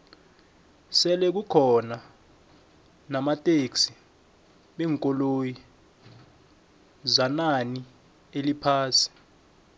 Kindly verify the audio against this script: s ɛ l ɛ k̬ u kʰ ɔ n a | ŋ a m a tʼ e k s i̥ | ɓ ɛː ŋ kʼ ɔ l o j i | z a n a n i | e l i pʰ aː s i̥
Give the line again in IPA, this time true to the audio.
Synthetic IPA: s ɛ l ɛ k̬ u kʰ ɔ n a | n a m a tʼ e k s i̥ | ɓ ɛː ŋ kʼ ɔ l o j i | z a n a n i | e l i pʰ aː s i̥